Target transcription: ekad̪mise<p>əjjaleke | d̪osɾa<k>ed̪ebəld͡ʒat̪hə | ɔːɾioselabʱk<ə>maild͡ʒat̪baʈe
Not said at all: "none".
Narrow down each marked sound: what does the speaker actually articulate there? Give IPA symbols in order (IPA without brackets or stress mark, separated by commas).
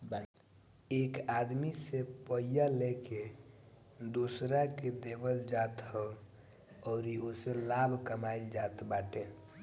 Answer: p, k, ə